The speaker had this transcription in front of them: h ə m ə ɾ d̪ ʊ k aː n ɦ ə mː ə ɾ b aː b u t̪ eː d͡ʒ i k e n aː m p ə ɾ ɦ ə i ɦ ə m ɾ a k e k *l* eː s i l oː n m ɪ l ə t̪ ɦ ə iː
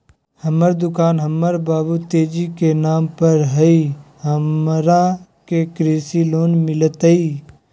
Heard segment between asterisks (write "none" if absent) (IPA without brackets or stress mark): ɾ